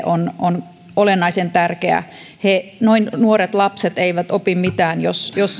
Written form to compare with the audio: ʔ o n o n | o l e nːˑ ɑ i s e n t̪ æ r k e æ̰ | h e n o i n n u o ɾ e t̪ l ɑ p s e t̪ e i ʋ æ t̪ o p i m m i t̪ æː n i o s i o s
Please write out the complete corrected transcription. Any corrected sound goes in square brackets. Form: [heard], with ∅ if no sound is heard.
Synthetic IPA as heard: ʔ o n o n | o l e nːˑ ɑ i s e n t̪ æ r k e æ̰ | h e n o i n n u o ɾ e t̪ l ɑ p s e t̪ e i ʋ æ t̪ o p i m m i t̪ æː n [j] o s [j] o s